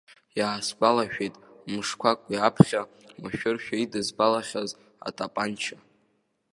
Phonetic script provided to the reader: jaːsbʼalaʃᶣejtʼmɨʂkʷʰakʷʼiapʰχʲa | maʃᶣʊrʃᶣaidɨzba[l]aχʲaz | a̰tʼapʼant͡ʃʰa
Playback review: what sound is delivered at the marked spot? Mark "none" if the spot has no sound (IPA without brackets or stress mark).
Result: l